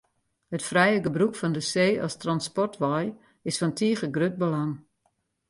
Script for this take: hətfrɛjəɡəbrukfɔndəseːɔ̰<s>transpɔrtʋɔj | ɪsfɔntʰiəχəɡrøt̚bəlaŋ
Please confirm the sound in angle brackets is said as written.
yes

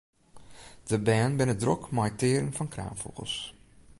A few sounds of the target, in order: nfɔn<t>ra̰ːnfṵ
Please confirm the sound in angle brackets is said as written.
no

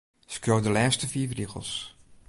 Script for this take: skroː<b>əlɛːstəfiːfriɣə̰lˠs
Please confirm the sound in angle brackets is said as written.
no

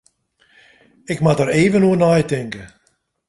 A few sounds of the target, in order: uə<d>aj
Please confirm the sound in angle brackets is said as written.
no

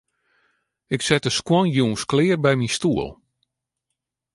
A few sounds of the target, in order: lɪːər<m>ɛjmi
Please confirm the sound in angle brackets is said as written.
no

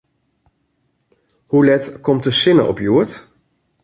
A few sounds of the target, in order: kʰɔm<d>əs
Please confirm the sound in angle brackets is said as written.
no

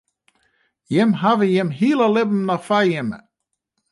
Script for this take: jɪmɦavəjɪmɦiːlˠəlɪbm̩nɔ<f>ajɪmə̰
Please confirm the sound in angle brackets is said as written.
yes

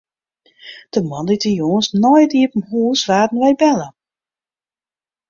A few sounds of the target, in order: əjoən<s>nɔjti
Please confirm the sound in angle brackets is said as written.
yes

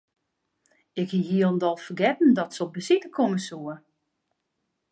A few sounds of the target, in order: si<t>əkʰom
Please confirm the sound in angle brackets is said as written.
yes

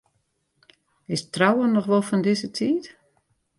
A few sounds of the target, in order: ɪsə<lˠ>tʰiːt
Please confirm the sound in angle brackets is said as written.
no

